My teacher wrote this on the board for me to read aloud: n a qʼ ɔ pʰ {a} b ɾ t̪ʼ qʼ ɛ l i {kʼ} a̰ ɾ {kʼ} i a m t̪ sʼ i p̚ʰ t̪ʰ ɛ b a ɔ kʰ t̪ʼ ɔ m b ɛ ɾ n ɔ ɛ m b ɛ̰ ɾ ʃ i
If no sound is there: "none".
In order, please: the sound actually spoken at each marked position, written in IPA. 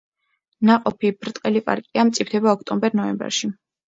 i, pʼ, kʼ

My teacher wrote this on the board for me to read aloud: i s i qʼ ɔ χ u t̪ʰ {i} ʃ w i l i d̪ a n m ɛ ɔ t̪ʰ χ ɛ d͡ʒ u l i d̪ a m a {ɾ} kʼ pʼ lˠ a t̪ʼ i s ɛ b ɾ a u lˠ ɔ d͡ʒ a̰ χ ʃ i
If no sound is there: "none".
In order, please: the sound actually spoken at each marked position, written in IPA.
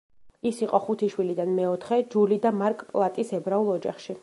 i, ɾ

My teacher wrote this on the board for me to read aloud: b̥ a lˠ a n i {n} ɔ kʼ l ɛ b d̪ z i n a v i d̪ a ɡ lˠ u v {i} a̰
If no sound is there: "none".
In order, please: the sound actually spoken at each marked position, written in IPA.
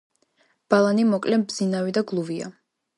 m, i

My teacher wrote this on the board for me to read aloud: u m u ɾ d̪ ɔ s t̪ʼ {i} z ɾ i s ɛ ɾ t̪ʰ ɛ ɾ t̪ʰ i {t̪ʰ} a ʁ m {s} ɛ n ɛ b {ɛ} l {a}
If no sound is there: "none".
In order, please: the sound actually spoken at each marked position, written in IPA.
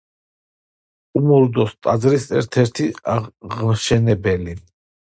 a, none, ʃ, ɛ, i

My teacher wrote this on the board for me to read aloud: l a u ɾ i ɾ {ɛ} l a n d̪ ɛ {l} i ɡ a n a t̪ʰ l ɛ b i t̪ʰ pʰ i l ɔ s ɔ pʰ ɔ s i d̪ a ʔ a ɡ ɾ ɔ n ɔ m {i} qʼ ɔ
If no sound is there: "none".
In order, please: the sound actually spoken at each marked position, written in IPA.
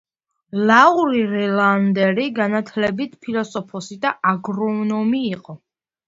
ɛ, ɾ, iː

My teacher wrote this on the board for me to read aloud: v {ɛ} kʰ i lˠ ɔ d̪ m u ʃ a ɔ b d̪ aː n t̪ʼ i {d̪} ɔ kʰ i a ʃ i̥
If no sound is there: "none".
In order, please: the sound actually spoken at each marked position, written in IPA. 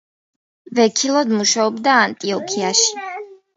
ɛ, none

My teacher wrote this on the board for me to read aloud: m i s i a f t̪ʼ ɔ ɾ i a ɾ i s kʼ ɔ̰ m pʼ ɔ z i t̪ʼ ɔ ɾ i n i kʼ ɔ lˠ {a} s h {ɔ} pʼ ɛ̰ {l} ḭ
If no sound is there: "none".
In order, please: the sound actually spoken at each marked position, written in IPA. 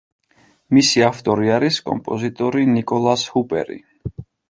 a, u, ɾ

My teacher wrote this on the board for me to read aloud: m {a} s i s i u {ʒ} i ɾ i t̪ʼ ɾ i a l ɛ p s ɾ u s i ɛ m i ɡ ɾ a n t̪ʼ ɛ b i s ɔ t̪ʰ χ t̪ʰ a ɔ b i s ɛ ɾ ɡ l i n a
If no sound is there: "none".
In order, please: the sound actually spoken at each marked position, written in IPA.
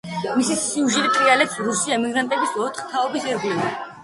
i, ʒ

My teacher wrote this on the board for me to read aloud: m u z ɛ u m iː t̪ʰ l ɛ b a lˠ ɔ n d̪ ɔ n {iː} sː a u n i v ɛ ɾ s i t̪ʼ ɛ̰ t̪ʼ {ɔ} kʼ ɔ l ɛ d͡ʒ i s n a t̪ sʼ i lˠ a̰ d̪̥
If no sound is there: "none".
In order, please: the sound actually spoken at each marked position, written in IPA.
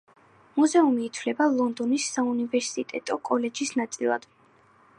i, ɔ

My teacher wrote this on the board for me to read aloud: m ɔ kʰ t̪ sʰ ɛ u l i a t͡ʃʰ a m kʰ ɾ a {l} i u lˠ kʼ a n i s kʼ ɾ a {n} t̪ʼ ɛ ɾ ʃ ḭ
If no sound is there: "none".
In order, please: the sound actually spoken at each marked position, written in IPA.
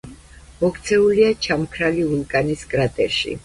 l, none

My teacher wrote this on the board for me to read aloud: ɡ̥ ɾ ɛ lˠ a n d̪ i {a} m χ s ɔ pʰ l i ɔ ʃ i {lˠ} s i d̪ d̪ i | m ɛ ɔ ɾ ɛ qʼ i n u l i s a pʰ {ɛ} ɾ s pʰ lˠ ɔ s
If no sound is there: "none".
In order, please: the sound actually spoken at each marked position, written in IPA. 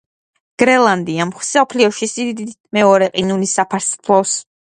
a, none, a

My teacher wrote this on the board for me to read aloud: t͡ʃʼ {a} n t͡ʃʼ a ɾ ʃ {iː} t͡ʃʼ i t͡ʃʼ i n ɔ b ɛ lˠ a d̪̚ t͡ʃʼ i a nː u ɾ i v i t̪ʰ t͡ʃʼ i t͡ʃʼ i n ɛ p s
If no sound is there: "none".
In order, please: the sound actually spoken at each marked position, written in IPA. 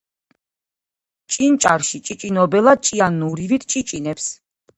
i, i

